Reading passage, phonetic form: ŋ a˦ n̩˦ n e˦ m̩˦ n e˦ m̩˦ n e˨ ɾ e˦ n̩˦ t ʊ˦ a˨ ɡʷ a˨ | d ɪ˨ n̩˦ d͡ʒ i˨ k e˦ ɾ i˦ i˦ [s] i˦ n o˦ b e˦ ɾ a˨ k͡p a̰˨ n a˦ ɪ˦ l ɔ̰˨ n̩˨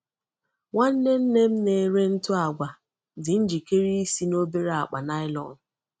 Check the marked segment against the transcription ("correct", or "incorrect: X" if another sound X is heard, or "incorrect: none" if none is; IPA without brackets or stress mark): correct